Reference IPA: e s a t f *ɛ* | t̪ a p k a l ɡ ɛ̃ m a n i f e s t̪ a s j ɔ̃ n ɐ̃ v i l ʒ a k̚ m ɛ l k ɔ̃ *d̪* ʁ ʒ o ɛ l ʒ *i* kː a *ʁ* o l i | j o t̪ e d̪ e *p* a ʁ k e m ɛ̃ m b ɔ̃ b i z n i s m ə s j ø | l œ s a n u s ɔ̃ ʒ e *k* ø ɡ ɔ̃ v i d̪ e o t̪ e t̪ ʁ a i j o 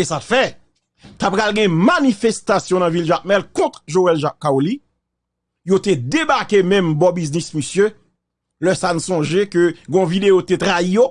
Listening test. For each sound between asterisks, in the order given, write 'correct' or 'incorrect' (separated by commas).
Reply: correct, incorrect, incorrect, incorrect, incorrect, correct